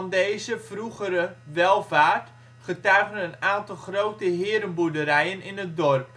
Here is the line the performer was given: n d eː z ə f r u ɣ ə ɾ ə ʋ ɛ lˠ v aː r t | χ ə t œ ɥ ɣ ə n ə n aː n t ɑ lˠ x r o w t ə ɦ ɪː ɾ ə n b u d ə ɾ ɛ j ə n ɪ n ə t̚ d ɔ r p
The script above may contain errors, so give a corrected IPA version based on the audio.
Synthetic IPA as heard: n d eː z ə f r u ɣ ə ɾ ə ʋ ɛ lˠ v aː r t | χ ə t œ ɥ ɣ ə n ə n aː n t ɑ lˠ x r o w t ə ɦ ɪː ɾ ə n b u d ə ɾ ɛ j ə n ɪ n ə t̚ d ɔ r p